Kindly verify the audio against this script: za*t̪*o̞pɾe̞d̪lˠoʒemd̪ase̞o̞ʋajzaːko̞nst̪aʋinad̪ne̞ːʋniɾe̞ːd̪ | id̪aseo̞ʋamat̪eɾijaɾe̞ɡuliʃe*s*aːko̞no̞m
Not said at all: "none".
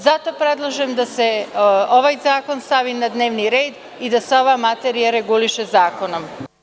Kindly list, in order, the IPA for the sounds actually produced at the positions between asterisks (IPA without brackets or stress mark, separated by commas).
t̪, z